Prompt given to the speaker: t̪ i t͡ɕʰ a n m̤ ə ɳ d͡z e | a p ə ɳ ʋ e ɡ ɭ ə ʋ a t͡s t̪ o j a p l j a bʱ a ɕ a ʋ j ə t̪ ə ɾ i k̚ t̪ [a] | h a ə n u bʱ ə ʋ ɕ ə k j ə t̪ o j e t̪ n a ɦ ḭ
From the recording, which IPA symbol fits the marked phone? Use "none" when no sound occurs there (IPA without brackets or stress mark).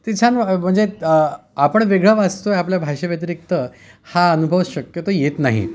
ə